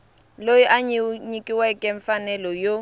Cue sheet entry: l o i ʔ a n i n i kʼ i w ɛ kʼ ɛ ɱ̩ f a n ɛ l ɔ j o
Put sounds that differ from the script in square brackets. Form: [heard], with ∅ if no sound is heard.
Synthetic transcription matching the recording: l o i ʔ a [ɲ] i [ɲ] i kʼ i w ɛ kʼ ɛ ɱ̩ f a n ɛ l ɔ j o